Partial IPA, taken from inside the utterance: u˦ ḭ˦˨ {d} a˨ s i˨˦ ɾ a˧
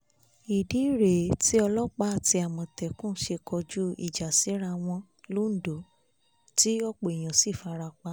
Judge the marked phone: incorrect: d͡ʒ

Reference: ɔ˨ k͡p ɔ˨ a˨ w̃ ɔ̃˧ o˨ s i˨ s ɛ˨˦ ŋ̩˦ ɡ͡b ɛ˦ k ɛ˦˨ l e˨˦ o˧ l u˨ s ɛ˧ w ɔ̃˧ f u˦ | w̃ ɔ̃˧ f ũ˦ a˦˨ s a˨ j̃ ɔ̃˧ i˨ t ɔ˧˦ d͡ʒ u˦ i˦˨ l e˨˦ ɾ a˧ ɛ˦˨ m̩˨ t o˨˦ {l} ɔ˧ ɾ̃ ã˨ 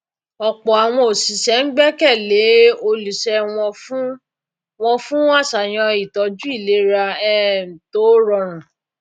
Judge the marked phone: incorrect: ɾ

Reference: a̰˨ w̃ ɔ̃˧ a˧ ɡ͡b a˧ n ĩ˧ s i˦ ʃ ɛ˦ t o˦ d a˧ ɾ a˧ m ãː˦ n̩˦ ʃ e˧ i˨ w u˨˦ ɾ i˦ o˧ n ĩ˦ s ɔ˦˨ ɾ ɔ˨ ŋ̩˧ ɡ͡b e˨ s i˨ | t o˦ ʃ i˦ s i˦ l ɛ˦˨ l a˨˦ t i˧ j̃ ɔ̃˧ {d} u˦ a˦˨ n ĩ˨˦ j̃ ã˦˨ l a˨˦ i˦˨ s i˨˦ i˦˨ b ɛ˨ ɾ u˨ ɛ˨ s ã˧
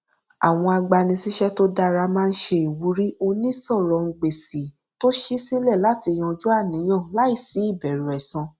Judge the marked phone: incorrect: d͡ʒ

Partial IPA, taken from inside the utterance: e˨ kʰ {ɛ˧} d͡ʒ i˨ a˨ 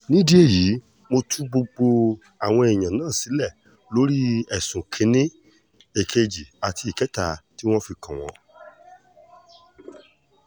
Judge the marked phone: incorrect: e˧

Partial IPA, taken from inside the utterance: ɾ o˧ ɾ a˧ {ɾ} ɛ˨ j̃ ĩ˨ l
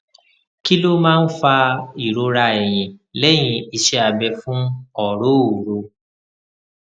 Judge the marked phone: incorrect: none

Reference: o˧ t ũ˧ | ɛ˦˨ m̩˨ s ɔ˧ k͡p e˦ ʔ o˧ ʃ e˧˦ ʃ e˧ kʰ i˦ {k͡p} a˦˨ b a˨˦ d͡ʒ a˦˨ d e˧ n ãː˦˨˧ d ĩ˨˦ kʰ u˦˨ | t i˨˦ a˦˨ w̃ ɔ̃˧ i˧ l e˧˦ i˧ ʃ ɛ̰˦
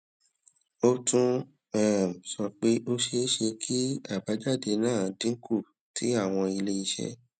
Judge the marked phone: incorrect: none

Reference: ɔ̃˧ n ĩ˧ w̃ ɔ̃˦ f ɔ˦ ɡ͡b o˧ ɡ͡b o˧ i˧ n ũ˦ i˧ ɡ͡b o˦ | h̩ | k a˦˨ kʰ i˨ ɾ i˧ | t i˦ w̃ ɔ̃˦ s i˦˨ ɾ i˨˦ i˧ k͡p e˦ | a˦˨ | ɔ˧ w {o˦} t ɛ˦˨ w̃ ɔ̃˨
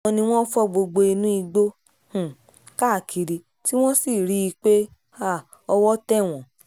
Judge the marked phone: incorrect: ɔ˦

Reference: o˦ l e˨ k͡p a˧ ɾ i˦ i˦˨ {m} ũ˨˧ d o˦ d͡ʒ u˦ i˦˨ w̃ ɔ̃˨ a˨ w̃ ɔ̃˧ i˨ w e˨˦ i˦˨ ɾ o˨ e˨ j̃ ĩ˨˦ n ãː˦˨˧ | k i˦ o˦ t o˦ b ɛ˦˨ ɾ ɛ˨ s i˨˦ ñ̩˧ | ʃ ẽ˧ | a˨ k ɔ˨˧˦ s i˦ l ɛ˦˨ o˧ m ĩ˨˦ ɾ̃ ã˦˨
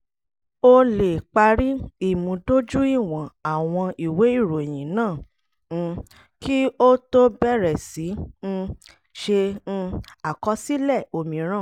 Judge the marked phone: correct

